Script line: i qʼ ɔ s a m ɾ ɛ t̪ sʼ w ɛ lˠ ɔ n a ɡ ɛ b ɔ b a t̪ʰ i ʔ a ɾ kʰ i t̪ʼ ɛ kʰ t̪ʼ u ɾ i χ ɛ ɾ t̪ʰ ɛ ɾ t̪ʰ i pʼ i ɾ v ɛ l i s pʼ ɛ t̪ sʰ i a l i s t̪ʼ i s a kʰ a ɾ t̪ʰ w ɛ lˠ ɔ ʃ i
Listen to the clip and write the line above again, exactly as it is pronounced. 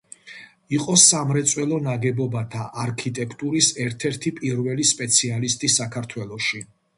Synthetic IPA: i qʼ ɔ s a m ɾ ɛ t̪ sʼ w ɛ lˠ ɔ n a ɡ ɛ b ɔ b a t̪ʰ a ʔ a ɾ kʰ i t̪ʼ ɛ kʰ t̪ʼ u ɾ i s ɛ ɾ t̪ʰ ɛ ɾ t̪ʰ i pʼ i ɾ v ɛ l i s pʼ ɛ t̪ sʰ i a l i s t̪ʼ i s a kʰ a ɾ t̪ʰ w ɛ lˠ ɔ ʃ i